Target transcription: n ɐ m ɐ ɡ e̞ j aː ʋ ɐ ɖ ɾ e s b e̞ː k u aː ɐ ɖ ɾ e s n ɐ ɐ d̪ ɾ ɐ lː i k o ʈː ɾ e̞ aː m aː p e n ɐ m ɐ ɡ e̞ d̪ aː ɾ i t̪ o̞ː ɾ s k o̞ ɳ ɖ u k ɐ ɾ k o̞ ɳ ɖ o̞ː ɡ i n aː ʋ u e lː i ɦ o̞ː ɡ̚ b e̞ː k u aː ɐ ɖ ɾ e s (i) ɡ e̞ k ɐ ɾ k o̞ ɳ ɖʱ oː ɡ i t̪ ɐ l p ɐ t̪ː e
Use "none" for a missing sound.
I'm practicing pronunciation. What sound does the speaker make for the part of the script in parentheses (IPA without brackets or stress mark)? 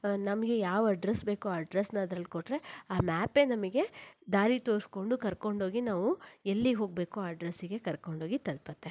i